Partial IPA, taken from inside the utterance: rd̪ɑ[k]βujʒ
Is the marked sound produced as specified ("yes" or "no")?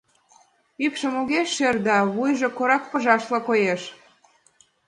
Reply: no